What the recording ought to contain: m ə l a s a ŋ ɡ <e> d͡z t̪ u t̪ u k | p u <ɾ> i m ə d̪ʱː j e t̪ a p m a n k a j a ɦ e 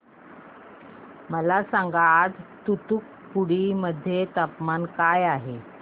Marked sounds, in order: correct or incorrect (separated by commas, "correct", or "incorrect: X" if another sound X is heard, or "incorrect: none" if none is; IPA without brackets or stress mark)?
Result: incorrect: a, incorrect: ɽ